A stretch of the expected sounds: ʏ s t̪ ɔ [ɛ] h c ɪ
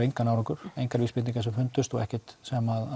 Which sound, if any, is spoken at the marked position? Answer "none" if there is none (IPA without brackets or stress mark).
ɛ